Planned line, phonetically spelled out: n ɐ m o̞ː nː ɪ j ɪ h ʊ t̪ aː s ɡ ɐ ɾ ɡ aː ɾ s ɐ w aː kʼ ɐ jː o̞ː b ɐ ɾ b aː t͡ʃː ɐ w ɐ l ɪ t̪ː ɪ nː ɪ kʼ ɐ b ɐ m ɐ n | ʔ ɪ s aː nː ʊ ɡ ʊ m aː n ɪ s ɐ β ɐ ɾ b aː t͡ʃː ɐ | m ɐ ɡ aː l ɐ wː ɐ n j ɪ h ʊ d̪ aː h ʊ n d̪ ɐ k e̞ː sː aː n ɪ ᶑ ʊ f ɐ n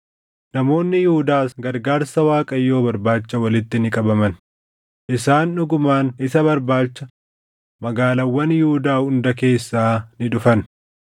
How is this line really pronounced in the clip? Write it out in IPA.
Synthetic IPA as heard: n ɐ m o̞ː nː ɪ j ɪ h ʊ d̪ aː s ɡ ɐ ɾ ɡ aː ɾ s ɐ w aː kʼ ɐ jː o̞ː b ɐ ɾ b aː t͡ʃː ɐ w ɐ l ɪ t̪ː ɪ n ɪ kʼ ɐ b ɐ m ɐ n | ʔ ɪ s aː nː ʊ ɡ ʊ m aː n ɪ s ɐ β ɐ ɾ b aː t͡ʃː ɐ | m ɐ ɡ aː l ɐ wː ɐ n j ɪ h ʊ d̪ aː h ʊ n d̪ ɐ k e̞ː sː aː n ɪ ᶑ ʊ f ɐ n